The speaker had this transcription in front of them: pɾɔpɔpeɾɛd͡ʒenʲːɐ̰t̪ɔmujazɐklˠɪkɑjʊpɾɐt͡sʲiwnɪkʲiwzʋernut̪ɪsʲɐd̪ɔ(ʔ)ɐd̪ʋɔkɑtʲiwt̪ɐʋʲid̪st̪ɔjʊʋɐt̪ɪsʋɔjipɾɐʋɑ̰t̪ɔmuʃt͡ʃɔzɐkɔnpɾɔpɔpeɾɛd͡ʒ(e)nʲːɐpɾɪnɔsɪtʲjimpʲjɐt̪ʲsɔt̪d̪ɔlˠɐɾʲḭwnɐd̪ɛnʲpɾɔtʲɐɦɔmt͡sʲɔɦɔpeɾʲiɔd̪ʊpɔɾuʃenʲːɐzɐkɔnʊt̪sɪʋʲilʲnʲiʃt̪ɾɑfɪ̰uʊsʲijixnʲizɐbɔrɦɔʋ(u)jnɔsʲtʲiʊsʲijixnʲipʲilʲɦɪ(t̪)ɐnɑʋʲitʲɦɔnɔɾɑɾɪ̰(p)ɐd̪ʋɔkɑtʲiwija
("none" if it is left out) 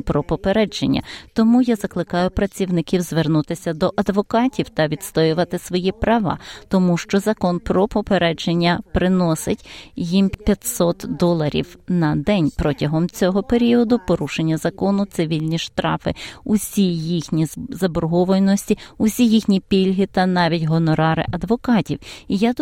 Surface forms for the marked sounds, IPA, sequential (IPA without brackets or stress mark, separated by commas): ʔ, e, ɔ, t̪, ʔ